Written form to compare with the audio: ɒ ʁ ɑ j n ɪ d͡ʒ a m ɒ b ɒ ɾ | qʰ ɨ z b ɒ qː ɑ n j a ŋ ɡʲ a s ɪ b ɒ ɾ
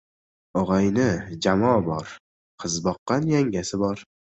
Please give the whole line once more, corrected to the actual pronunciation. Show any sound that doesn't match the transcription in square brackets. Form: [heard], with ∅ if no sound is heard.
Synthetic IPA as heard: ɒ ʁ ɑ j n ɪ d͡ʒ a m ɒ b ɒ ɾ | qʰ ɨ z b ɒ qː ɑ n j a ŋ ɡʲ a s ɪ b ɒ ɾ